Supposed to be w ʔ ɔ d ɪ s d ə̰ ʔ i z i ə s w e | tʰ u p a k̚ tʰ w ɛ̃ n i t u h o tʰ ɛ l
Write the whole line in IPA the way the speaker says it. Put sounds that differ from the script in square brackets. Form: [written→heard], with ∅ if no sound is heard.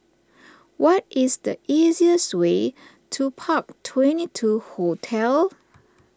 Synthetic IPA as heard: w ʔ ɔ [d→t] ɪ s d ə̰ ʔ i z i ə s w e | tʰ u [p→pʰ] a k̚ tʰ w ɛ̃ n i [t→tʰ] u h o tʰ ɛ l